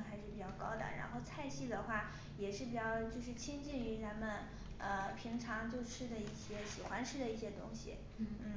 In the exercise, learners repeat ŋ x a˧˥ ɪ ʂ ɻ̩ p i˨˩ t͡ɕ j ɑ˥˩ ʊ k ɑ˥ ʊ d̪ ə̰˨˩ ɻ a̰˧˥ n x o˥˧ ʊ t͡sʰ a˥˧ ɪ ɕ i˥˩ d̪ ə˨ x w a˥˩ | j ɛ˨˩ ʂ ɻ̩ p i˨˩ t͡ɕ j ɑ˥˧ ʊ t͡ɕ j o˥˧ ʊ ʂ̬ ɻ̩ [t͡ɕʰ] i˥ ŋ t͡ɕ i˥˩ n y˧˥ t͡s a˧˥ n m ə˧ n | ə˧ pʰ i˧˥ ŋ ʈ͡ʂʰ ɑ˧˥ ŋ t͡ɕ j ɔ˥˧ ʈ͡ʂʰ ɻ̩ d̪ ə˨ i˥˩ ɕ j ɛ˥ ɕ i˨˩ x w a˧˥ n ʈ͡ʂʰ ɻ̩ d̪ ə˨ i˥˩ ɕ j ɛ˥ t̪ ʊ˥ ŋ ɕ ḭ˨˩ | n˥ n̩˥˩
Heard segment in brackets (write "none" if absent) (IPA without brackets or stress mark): t͡ɕʰ